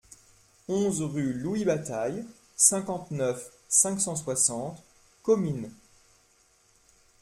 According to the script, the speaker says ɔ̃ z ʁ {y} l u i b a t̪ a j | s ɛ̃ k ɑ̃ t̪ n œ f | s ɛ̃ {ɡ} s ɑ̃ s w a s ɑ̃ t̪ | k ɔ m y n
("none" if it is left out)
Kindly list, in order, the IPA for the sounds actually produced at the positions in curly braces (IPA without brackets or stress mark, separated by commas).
y, k